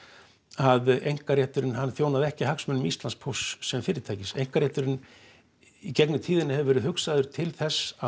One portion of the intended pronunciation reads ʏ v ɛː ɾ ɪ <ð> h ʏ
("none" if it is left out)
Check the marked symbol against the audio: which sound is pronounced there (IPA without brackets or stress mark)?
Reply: ð